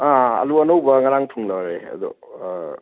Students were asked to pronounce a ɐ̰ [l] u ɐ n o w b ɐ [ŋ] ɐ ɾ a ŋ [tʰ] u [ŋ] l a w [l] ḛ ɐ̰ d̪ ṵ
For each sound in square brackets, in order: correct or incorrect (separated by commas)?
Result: correct, correct, correct, correct, incorrect